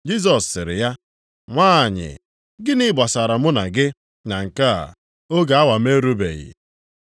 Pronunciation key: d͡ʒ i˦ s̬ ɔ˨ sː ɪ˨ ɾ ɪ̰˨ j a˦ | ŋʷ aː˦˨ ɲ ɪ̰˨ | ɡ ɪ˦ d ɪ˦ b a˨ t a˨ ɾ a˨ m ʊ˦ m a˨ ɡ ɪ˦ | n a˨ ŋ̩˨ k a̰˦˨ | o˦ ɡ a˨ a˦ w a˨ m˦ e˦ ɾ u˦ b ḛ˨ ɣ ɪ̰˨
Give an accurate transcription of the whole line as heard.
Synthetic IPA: d͡ʒ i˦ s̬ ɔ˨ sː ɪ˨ ɾ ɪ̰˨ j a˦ | ŋʷ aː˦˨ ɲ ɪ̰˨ | ɡ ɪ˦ n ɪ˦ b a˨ s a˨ ɾ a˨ m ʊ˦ n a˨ ɡ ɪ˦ | n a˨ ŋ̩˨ k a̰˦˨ | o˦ ɡ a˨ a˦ w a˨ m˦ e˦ ɾ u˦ b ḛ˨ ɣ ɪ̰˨